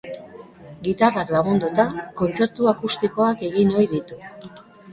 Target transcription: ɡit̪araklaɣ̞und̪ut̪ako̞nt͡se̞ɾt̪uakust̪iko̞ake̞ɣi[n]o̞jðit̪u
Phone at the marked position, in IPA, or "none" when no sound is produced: n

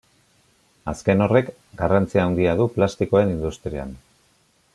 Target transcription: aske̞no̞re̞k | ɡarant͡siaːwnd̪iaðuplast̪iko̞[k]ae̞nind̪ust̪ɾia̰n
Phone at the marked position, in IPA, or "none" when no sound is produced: none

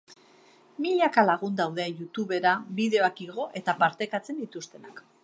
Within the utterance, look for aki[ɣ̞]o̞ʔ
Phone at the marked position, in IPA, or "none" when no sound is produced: ɣ̞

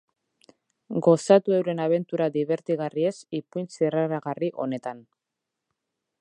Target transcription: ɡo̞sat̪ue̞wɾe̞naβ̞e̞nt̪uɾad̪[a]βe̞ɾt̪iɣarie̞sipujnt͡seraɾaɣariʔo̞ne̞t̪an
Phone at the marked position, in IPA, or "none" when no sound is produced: i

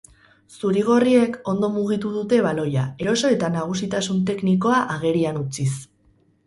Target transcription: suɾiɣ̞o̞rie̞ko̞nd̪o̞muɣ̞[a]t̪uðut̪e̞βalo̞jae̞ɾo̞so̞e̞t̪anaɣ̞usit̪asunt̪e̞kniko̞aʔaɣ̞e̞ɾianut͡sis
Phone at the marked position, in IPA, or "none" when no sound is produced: i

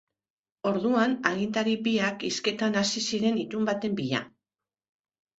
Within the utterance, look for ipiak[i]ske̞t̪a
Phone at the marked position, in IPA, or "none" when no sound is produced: i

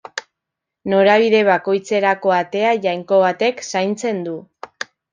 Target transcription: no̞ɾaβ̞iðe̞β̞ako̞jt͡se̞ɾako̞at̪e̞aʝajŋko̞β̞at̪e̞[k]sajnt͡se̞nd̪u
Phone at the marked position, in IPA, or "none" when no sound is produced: k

